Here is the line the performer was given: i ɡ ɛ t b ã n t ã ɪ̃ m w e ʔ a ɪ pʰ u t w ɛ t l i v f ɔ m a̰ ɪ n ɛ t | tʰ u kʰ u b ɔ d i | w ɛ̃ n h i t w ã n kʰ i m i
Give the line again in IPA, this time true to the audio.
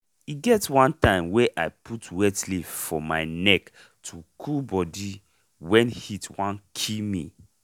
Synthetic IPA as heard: i ɡ ɛ t w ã n t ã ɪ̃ m w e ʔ a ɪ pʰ u t w ɛ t l i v f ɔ m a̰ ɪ n ɛ k | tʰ u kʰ u b ɔ d i | w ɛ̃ n h i t w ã n kʰ i m i